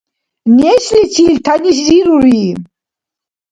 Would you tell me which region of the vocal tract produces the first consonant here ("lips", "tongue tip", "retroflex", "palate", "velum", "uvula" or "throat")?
tongue tip